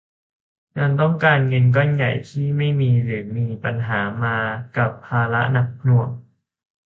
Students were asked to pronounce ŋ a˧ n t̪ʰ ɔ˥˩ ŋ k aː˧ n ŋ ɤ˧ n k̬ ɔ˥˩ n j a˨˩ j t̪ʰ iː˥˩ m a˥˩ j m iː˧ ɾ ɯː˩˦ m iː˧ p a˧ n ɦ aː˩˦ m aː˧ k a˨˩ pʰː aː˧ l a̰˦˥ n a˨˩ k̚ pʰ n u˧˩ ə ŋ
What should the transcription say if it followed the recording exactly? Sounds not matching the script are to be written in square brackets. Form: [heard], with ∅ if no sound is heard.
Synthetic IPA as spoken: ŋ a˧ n [t̪] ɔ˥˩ ŋ k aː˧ n ŋ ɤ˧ n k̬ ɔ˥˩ n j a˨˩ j t̪ʰ iː˥˩ m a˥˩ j m iː˧ ɾ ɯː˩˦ m iː˧ p a˧ n ɦ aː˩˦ m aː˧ k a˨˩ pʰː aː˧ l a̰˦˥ n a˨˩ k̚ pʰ n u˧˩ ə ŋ